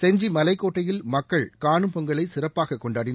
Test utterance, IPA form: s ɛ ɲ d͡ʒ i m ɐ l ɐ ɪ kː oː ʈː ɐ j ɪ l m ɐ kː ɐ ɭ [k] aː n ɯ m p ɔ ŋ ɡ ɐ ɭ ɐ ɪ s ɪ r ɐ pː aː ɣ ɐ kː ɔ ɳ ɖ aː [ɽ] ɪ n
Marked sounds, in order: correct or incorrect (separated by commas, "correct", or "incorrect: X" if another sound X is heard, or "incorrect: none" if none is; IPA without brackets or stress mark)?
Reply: correct, correct